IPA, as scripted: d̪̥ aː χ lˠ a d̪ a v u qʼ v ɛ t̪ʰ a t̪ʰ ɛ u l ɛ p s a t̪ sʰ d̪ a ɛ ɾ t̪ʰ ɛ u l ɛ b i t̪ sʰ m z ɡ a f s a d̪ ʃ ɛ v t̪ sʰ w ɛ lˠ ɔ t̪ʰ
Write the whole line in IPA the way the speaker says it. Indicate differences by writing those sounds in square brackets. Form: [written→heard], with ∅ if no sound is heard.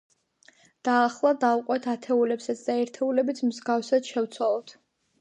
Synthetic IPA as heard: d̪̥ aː χ lˠ a d̪ a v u qʼ [v→w] ɛ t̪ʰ a t̪ʰ ɛ u l ɛ p s a t̪ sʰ d̪ a ɛ ɾ t̪ʰ ɛ u l ɛ b i t̪ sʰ m z ɡ a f s a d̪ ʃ ɛ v t̪ sʰ w [ɛ→a] lˠ ɔ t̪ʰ